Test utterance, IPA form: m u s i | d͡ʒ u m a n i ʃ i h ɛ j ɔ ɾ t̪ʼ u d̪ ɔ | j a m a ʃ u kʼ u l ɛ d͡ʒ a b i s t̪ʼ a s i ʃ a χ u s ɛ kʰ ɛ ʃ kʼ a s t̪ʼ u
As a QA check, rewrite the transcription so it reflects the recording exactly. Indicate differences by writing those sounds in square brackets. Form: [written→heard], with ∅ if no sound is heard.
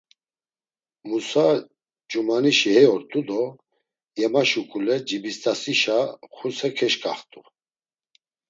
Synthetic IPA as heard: m u s [i→a] | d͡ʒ u m a n i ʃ i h ɛ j ɔ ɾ t̪ʼ u d̪ ɔ | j [a→ɛ] m a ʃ u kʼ u l ɛ d͡ʒ [a→i] b i s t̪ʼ a s i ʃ a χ u s ɛ kʰ ɛ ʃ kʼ a [s→χ] t̪ʼ u

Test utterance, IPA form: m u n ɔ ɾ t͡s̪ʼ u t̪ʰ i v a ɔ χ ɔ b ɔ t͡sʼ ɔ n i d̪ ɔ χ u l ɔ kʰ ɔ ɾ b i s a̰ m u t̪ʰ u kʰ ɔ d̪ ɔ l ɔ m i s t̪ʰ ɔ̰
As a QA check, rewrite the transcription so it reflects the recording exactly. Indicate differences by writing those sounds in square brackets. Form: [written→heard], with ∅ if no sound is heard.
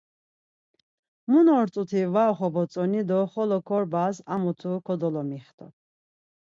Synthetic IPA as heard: m u n ɔ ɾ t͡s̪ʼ u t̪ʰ i v a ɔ χ ɔ b ɔ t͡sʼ ɔ n i d̪ ɔ χ [u→ɔ] l ɔ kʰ ɔ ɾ b [i→a] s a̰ m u t̪ʰ u kʰ ɔ d̪ ɔ l ɔ m i [s→χ] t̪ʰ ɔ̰

